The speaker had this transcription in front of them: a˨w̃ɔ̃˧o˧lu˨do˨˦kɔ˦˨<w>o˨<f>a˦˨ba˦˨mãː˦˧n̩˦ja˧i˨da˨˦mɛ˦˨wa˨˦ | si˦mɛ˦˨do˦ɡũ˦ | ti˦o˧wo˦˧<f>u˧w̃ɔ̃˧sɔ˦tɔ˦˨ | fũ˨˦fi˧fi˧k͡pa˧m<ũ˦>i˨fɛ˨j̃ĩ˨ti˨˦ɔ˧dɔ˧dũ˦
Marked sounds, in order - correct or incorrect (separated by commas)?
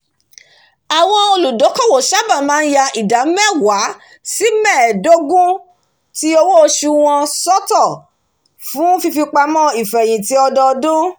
correct, incorrect, incorrect, incorrect